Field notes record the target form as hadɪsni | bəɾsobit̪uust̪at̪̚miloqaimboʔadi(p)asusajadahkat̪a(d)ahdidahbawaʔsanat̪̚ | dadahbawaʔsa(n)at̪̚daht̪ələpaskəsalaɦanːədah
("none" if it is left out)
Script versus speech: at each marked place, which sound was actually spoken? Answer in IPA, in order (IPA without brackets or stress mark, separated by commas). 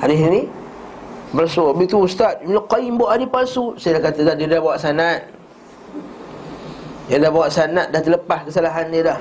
p, d, n